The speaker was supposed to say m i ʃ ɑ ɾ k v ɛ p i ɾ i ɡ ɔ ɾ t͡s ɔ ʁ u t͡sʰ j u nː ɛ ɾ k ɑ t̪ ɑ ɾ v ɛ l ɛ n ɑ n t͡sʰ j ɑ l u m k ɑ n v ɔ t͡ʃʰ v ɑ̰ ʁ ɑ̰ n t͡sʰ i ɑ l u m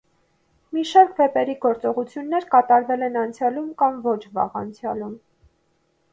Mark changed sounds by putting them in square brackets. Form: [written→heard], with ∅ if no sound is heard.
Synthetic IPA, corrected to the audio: m i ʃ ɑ ɾ k v ɛ p [i→ɛ] ɾ i ɡ ɔ ɾ t͡s ɔ ʁ u t͡sʰ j u nː ɛ ɾ k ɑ t̪ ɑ ɾ v ɛ l ɛ n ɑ n t͡sʰ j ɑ l u m k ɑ [n→m] v ɔ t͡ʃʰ v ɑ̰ ʁ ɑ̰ n t͡sʰ [i→j] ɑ l u m